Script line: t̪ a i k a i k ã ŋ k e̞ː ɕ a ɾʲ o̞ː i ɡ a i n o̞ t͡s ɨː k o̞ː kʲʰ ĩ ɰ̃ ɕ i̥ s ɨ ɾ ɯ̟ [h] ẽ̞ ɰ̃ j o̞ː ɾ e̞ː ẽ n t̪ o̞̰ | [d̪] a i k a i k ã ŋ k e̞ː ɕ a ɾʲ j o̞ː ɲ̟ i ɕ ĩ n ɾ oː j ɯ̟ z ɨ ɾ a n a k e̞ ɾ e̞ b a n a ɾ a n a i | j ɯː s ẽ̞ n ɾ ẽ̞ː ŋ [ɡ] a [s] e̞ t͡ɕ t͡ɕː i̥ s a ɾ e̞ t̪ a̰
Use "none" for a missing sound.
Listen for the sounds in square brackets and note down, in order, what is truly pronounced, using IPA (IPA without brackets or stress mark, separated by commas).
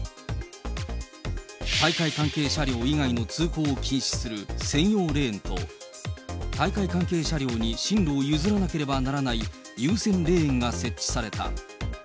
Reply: s, t̪, ɡ, s